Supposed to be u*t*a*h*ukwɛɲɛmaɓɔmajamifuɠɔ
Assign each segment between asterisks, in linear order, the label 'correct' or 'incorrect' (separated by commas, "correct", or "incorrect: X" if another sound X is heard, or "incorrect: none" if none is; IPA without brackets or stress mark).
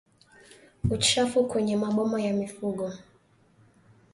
incorrect: t͡ʃ, incorrect: f